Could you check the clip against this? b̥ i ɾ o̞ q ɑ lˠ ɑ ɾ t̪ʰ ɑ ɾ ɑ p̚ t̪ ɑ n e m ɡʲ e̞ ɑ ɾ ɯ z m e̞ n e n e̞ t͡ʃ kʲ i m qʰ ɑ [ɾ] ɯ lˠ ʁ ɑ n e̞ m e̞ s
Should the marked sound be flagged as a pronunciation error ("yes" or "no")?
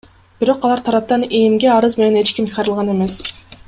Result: no